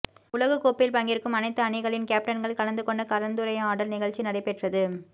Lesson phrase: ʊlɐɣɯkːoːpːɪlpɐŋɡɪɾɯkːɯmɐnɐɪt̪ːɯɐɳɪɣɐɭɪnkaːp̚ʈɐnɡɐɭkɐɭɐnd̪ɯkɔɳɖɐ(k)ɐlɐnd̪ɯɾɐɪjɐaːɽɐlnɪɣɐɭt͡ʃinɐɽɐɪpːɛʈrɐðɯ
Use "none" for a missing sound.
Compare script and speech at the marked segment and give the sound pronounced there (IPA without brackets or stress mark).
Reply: k